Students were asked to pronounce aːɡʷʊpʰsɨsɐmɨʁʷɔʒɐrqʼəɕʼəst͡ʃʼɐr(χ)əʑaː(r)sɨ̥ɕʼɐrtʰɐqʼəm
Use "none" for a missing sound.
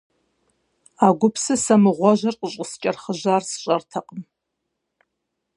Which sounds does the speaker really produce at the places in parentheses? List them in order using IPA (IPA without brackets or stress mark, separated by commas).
χ, r